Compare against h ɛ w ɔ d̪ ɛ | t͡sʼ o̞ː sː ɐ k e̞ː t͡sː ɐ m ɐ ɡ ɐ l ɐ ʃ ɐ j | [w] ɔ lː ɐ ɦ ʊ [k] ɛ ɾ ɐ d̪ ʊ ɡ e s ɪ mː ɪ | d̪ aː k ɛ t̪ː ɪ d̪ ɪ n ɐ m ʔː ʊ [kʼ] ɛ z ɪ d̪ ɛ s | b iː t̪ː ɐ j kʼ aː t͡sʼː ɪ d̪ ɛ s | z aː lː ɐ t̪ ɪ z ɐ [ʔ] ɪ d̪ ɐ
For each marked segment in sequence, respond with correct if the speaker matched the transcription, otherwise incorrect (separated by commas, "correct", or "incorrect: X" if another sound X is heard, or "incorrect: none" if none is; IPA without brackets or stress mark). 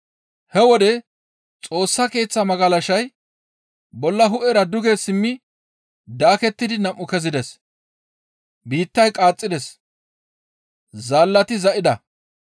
incorrect: b, incorrect: ʔ, incorrect: k, correct